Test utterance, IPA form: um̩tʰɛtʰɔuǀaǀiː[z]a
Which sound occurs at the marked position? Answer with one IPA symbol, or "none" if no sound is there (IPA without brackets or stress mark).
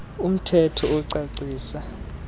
s